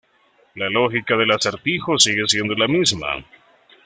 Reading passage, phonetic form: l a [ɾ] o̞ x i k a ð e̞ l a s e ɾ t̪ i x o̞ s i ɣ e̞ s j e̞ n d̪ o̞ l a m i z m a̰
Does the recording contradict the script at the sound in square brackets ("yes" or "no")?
yes